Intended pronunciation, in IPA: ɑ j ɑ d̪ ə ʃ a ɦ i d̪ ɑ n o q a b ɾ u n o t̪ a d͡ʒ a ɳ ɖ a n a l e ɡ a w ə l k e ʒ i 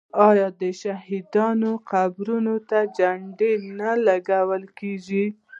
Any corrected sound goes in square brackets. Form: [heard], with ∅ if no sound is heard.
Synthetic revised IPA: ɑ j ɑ d̪ ə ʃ a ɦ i d̪ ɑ n o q a b ɾ u n o t̪ a d͡ʒ a ɳ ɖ [e] n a l [a] ɡ a w ə l k e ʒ i